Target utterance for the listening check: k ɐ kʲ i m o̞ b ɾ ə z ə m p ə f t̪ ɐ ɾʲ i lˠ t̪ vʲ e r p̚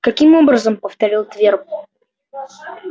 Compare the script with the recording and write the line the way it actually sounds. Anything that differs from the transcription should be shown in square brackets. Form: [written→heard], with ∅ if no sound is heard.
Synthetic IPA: k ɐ kʲ i m o̞ b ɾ ə z ə m p ə f t̪ ɐ ɾʲ i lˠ t̪ vʲ e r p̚